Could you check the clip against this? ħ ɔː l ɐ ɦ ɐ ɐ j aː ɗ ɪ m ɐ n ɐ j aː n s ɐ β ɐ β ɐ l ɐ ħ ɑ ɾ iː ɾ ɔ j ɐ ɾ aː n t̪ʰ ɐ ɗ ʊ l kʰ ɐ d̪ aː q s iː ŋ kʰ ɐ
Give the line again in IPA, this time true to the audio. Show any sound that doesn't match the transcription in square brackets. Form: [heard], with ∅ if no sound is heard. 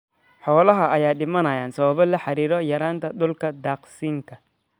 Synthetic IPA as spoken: ħ ɔː l ɐ ɦ ɐ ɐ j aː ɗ ɪ m ɐ n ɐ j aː n s ɐ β ɐ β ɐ l ɐ ħ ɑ ɾ iː ɾ ɔ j ɐ ɾ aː n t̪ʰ ɐ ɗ ʊ l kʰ ɐ d̪ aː q s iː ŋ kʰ ɐ